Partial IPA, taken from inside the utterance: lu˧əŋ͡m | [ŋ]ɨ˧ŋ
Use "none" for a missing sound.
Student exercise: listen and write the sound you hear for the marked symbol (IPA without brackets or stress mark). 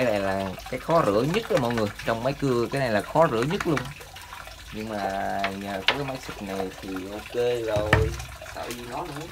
ɲ